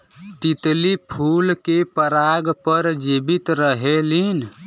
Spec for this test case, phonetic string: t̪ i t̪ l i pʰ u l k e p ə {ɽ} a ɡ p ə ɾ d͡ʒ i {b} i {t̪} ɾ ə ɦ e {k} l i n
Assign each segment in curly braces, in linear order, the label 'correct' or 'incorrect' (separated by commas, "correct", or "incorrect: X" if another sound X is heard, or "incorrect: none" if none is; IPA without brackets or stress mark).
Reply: incorrect: ɾ, correct, correct, incorrect: none